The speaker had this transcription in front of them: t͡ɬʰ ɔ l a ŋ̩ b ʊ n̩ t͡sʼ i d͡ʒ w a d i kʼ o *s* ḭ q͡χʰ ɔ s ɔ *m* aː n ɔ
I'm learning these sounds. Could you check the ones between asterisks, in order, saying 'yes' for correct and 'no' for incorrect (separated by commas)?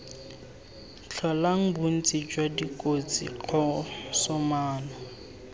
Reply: no, yes